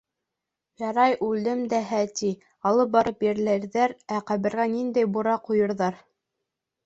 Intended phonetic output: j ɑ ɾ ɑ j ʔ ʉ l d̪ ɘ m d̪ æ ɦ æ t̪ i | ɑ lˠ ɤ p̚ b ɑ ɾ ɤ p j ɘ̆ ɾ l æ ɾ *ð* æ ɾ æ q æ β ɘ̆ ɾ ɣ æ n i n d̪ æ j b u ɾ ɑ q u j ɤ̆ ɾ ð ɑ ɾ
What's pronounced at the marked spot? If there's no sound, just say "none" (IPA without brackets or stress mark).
ð